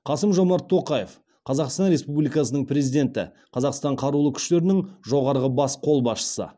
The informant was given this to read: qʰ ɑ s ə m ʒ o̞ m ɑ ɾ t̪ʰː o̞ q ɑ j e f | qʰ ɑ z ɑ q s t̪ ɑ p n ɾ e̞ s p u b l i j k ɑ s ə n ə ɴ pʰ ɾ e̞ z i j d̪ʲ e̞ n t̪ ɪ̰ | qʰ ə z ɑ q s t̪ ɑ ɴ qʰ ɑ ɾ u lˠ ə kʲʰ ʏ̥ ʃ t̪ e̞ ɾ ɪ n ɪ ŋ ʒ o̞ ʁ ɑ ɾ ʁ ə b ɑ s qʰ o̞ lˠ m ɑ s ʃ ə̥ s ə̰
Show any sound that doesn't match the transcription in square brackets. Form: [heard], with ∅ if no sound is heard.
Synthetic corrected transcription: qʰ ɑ s ə m ʒ o̞ m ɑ ɾ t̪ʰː o̞ q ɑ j e f | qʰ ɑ z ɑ q s t̪ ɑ [∅] n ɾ e̞ s p u b l i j k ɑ s ə n ə ɴ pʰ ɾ e̞ z i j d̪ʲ e̞ n t̪ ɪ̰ | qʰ [ɑ] z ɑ q s t̪ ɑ ɴ qʰ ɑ ɾ u lˠ ə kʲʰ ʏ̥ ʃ t̪ e̞ ɾ ɪ n ɪ ŋ ʒ o̞ ʁ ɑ ɾ ʁ ə b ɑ s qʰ o̞ lˠ [b] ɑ s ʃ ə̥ s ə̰